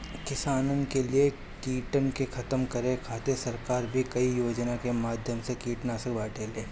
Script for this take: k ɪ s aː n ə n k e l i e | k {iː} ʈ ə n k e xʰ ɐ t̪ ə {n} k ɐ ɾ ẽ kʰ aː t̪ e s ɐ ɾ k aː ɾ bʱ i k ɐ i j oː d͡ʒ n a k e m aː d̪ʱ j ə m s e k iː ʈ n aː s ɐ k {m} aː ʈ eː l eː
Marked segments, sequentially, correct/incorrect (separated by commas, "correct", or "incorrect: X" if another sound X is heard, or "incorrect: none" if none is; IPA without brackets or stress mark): correct, incorrect: m, incorrect: b